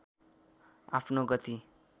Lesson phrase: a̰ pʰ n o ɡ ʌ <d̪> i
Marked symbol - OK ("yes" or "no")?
no